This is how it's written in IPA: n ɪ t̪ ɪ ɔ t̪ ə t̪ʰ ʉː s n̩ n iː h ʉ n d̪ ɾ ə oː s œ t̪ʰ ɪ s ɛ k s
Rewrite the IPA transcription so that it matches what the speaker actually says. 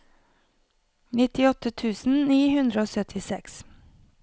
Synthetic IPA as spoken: n ɪ t̪ ɪ ɔ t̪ ə t̪ʰ ʉː s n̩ n iː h ʉ n d̪ ɾ ə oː s œ t̪ʰ ɪ s ɛ k s